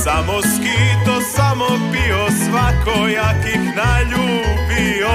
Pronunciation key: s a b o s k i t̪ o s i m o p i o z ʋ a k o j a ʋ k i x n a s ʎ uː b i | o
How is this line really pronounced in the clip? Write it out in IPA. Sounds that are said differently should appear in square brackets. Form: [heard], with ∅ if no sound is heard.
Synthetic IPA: s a [m] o s k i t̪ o s [a] m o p i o [s] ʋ a k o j a [∅] k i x n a [∅] ʎ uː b i | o